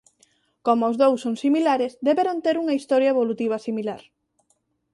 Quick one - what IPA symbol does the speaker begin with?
k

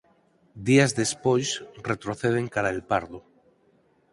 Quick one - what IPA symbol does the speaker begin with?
d̪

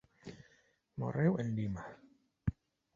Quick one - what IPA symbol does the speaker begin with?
m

